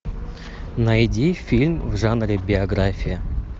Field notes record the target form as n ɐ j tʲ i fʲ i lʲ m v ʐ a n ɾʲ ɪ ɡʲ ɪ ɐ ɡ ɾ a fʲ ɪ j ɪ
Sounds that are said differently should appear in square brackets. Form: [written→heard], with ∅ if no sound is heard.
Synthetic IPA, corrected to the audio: n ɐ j [tʲ→dʲ] i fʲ i lʲ m v ʐ a n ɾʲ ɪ [ɡʲ→bʲ] ɪ ɐ ɡ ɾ a fʲ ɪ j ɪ